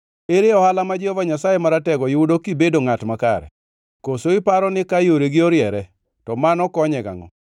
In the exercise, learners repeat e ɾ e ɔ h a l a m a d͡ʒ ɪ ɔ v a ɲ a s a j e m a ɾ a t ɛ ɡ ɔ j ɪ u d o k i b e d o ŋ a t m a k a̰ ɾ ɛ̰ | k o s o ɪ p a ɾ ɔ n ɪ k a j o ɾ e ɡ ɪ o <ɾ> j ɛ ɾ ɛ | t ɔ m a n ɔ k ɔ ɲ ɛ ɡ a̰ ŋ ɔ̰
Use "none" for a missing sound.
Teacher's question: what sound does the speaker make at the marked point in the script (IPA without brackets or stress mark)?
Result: ɾ